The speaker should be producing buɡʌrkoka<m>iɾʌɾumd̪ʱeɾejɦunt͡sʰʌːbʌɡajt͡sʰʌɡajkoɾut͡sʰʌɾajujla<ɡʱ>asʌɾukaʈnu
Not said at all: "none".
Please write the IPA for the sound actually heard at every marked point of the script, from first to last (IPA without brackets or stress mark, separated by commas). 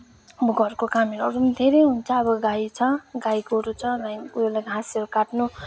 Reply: m, ɡʱ